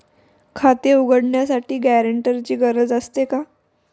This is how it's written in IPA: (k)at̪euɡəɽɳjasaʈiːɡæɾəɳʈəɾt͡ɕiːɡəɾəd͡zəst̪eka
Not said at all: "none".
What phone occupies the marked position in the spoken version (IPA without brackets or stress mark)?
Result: kʰ